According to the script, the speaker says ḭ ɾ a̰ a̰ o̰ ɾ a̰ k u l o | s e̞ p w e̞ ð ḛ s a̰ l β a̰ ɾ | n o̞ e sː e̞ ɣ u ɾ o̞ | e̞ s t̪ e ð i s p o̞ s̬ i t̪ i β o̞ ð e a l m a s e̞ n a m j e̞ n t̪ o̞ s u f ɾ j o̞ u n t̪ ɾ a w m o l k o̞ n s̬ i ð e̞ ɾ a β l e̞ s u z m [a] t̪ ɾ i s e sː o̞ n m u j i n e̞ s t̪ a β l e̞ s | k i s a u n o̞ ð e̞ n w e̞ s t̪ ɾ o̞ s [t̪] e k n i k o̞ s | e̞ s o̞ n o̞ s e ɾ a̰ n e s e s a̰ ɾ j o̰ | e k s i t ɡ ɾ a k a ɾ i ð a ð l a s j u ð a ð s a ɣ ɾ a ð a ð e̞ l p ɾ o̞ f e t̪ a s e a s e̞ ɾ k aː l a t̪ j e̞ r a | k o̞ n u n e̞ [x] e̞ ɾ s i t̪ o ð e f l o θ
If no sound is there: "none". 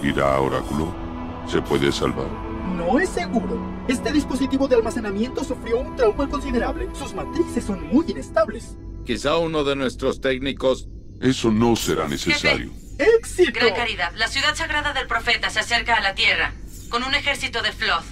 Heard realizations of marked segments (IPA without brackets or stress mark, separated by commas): a, t̪, x